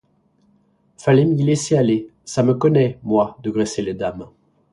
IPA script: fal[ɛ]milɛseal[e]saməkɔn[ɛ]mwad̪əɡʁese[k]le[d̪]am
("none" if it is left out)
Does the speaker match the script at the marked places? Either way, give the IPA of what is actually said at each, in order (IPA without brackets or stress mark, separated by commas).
ɛ, e, ɛ, none, d̪